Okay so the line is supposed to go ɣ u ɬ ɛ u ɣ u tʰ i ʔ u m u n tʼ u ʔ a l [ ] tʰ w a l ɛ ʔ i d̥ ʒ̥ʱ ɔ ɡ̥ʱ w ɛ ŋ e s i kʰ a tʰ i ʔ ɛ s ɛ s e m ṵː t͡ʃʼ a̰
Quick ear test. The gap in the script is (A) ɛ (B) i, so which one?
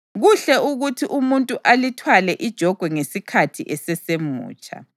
B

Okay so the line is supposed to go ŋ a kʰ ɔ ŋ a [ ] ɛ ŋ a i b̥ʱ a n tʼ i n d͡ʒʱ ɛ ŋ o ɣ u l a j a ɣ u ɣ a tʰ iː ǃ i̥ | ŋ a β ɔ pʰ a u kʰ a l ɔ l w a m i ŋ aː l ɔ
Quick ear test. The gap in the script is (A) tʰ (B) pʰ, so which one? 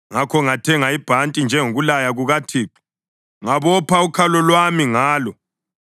A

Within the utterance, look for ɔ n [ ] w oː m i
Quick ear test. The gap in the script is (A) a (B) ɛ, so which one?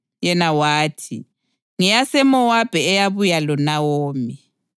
A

